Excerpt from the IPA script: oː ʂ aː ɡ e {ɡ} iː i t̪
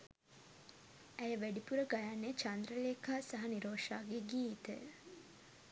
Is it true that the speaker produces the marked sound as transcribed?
yes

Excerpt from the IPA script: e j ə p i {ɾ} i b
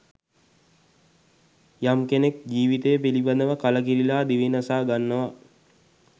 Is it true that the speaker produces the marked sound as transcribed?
no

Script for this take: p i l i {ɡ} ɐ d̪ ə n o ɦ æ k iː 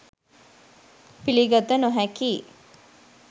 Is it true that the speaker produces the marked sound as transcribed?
yes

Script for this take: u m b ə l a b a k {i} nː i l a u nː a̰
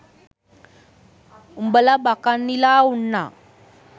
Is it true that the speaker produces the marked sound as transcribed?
no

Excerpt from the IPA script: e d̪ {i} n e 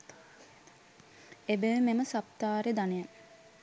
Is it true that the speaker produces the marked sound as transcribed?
no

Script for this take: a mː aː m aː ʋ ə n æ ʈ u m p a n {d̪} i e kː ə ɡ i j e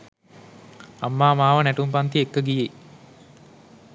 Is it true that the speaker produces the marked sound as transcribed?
no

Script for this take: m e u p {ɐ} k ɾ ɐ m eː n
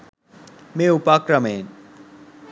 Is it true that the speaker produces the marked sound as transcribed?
no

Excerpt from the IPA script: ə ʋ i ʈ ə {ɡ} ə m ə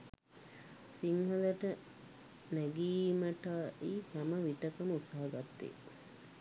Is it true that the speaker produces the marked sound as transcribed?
no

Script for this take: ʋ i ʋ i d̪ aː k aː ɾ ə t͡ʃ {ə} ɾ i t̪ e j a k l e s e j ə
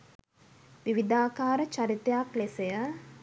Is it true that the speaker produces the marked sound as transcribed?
no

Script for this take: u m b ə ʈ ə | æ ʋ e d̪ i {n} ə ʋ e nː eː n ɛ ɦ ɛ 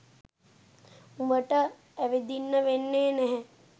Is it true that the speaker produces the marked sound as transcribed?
no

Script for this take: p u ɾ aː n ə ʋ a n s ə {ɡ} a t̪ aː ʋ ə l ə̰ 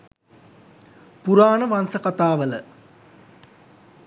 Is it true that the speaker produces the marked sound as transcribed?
no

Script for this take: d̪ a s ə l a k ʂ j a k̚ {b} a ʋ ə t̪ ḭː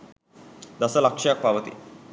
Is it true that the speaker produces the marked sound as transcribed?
no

